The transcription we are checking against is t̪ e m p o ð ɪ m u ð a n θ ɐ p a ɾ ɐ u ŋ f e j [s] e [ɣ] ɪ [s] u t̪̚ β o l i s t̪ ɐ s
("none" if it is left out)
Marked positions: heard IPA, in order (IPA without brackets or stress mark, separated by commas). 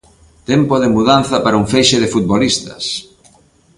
ʃ, ð, f